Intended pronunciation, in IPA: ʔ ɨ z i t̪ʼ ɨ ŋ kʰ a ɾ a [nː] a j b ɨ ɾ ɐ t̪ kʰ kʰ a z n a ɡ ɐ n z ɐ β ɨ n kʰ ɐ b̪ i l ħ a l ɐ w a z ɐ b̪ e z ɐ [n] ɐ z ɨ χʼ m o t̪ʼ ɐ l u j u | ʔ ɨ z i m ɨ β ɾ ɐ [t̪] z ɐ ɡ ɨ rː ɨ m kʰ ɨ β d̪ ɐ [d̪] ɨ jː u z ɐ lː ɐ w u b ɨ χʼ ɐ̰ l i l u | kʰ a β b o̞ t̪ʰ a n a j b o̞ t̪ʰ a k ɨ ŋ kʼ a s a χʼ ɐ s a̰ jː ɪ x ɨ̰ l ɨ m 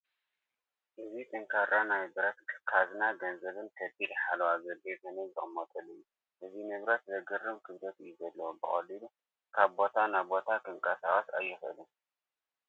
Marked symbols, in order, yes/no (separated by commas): no, yes, yes, no